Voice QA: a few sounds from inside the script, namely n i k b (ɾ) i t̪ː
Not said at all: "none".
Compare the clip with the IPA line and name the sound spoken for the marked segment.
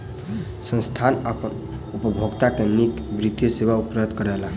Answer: ɾ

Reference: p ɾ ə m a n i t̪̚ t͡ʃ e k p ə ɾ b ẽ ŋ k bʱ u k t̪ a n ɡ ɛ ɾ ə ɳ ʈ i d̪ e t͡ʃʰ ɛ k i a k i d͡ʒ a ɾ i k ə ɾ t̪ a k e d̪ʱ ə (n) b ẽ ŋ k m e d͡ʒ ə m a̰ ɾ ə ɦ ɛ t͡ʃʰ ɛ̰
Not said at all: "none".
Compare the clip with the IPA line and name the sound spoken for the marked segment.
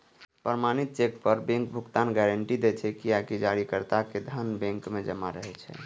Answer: n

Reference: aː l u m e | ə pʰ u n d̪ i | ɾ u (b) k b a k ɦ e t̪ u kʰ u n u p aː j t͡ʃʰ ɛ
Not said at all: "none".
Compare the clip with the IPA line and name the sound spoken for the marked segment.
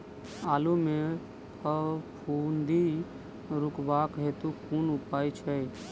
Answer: none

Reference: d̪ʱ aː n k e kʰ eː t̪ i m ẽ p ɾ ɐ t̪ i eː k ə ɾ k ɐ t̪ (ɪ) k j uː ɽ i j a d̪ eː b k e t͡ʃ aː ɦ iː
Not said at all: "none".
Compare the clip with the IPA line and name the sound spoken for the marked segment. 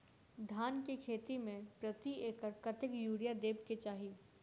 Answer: ɪ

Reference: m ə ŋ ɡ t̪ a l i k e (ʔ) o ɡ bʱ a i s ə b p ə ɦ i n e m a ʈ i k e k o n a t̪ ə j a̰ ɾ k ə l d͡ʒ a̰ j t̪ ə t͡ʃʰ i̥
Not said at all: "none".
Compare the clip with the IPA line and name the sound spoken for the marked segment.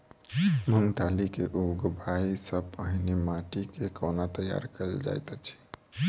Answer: ʔ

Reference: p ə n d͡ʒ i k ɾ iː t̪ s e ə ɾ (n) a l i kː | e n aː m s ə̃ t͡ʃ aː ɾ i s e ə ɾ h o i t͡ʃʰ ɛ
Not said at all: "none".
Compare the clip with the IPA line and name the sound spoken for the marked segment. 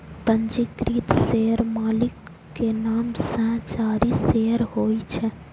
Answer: m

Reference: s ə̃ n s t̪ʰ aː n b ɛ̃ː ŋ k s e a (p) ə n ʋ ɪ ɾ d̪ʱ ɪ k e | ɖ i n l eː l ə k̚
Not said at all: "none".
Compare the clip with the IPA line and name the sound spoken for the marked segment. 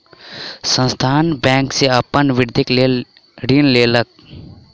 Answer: p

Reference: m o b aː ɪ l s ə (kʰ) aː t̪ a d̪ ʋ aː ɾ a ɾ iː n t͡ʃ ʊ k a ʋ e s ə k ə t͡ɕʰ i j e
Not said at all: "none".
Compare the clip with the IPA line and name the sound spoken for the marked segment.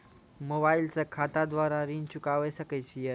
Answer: kʰ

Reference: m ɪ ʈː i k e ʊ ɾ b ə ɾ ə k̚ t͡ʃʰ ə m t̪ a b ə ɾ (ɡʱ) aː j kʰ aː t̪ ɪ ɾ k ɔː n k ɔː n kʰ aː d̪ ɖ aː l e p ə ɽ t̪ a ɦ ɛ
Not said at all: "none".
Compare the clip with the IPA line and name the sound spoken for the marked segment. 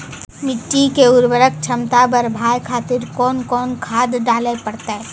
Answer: bʱ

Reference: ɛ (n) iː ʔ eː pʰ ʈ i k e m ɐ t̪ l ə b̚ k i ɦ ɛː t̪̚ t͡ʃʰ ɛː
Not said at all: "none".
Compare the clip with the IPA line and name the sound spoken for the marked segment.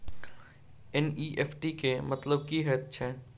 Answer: n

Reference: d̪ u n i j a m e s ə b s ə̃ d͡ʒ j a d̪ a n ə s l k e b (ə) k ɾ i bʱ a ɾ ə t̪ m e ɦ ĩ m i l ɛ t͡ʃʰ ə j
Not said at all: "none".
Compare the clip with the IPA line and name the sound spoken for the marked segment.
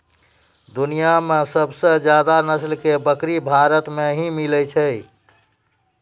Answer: ə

